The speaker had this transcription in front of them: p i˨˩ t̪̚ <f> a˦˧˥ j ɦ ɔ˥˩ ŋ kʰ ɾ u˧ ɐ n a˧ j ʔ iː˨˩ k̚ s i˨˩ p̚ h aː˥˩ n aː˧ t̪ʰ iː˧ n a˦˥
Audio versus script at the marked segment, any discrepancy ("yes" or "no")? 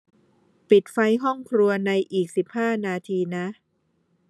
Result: no